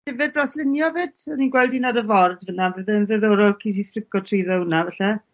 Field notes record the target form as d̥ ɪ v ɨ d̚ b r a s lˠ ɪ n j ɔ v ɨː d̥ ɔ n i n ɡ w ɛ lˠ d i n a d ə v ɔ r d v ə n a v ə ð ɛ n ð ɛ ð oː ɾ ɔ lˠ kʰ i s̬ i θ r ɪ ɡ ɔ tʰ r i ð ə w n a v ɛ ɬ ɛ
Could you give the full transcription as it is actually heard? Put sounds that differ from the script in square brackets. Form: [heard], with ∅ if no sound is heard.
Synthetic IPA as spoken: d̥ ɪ v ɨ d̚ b r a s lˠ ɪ n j ɔ v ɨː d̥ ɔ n i n ɡ w ɛ lˠ d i n a d ə v ɔ r d v ə n a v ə ð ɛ n ð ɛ ð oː ɾ ɔ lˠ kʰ i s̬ i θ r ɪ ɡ ɔ tʰ r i ð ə w n a v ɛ ɬ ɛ